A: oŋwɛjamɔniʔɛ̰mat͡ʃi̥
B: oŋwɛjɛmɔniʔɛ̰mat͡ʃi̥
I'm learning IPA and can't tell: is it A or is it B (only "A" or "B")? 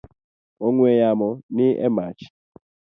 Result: A